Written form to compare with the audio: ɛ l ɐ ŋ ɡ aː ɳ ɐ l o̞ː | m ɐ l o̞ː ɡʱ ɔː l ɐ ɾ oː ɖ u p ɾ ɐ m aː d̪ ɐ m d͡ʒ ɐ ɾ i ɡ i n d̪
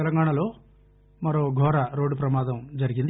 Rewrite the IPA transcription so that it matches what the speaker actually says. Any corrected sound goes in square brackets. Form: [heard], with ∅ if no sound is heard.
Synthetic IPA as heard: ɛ l ɐ ŋ ɡ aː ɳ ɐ l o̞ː | m ɐ [ɾ] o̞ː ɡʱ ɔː [ɾ] ɐ ɾ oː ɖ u p ɾ ɐ m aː d̪ ɐ m d͡ʒ ɐ ɾ i ɡ i n d̪